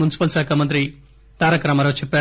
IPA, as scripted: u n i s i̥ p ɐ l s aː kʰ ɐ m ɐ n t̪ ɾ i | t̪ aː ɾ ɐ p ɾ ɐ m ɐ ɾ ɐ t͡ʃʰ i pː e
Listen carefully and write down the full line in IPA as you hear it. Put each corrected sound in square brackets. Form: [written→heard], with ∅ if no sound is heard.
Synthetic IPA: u n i s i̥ p ɐ l s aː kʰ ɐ m ɐ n t̪ ɾ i | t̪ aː ɾ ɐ [p→k] ɾ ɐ m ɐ ɾ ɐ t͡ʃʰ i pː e